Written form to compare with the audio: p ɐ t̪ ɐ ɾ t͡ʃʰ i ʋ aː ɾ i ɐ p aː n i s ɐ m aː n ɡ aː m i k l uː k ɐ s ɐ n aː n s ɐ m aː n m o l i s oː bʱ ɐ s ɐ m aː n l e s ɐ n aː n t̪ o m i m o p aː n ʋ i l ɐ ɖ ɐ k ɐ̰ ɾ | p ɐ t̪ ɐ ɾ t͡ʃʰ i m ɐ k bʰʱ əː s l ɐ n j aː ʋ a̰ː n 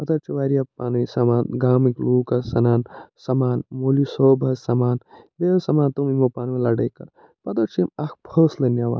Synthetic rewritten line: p ɐ t̪ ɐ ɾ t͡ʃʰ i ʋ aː ɾ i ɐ p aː n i s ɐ m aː n ɡ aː m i k l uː k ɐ s ɐ n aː n s ɐ m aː n m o l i s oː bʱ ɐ s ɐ m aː n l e s ɐ m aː n t̪ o m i m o p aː n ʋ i l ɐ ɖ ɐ k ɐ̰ ɾ | p ɐ t̪ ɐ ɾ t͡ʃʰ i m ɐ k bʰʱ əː s l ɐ n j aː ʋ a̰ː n